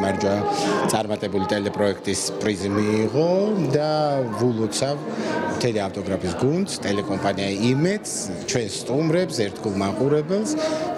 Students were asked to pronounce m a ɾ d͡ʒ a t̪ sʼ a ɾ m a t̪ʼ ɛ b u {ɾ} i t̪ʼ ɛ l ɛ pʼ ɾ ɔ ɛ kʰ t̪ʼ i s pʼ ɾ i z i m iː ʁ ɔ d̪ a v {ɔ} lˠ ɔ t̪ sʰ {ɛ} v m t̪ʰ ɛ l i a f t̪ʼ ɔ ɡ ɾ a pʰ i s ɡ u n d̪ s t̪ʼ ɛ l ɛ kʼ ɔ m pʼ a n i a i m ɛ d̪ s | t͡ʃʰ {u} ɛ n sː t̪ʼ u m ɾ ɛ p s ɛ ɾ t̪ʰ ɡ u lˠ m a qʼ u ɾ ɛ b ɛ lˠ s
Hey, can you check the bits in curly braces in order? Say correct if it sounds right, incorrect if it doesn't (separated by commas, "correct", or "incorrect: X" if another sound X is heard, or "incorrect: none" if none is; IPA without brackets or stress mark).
incorrect: l, incorrect: u, incorrect: a, incorrect: w